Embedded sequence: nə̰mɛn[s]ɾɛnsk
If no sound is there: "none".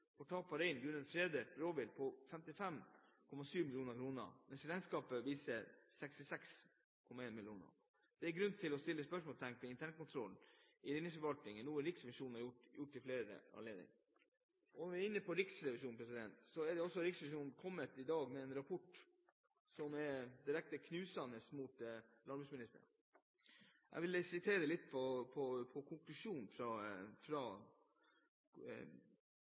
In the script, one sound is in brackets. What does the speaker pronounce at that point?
s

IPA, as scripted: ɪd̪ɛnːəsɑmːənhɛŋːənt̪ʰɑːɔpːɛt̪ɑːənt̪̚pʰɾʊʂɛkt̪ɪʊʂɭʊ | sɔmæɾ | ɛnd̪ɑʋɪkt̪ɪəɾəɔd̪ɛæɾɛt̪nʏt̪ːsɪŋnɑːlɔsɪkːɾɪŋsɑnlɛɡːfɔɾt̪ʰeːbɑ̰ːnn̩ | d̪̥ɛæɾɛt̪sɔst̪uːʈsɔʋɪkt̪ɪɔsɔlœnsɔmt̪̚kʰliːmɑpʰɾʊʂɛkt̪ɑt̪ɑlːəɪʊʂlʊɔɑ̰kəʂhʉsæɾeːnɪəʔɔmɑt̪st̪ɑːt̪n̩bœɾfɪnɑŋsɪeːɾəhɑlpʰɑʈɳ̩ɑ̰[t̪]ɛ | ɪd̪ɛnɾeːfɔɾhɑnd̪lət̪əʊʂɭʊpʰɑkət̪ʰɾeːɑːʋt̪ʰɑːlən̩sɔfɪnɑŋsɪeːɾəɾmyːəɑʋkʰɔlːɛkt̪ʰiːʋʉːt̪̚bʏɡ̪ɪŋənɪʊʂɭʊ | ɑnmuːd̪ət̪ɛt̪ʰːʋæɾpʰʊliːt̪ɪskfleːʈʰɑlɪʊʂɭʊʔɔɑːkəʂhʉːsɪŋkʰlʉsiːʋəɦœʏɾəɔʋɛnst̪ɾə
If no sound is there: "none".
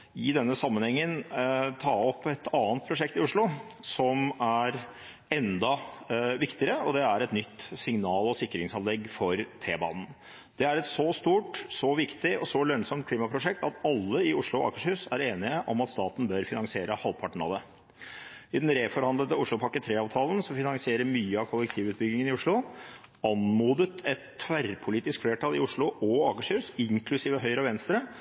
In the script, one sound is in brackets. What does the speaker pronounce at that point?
d̪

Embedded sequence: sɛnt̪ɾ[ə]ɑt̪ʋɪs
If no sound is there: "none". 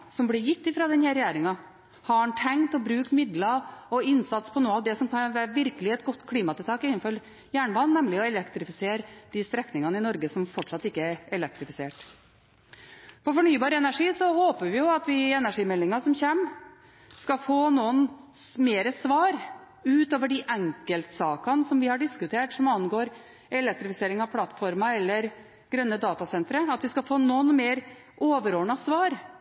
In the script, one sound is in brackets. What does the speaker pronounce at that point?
ə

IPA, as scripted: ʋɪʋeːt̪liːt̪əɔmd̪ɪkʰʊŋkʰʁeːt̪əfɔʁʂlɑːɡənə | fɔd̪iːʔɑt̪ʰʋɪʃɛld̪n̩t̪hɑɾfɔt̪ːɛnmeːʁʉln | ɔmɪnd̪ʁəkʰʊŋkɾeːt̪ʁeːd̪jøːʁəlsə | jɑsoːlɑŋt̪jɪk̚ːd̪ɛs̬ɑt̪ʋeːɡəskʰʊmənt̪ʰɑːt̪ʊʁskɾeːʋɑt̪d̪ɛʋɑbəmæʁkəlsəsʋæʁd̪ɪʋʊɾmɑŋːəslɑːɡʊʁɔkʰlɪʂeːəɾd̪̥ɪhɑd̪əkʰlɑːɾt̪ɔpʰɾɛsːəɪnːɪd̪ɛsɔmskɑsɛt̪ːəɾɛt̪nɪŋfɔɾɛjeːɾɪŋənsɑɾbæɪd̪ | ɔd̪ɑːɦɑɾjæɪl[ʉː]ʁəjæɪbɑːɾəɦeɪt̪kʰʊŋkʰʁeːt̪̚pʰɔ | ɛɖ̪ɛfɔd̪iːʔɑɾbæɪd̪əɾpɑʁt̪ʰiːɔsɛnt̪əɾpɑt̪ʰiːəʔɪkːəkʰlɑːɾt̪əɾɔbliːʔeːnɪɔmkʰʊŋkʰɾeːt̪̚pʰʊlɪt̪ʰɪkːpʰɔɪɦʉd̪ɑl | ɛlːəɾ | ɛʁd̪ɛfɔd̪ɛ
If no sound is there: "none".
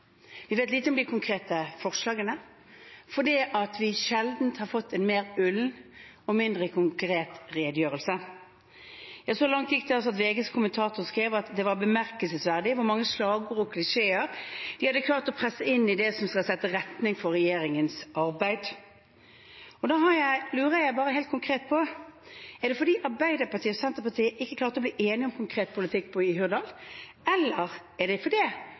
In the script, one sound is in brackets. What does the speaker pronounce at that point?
ʉː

